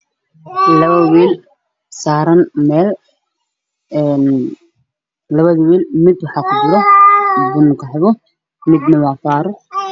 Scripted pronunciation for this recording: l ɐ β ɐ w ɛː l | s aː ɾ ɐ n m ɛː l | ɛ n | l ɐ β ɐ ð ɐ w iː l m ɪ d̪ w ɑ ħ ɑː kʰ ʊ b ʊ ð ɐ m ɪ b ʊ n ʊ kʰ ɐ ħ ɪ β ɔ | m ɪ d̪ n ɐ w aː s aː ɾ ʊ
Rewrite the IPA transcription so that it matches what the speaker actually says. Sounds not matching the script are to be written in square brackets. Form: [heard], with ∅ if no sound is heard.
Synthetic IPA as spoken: l ɐ β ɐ w [iː] l | s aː ɾ ɐ n m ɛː l | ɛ n | l ɐ β ɐ ð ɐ w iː l m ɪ d̪ w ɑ ħ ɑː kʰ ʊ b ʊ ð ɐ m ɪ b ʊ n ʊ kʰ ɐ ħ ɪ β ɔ | m ɪ d̪ n ɐ w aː [f] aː ɾ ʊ